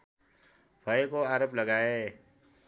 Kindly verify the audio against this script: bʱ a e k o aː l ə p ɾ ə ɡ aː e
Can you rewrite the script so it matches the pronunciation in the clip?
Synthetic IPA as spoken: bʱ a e k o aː ɾ ə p l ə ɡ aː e